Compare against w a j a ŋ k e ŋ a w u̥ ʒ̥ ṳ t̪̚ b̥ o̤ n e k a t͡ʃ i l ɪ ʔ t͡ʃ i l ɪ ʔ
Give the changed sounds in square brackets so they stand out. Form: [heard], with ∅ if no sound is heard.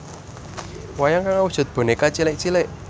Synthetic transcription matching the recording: w a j a ŋ k [a] ŋ a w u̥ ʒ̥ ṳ t̪̚ b̥ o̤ n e k a t͡ʃ i l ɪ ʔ t͡ʃ i l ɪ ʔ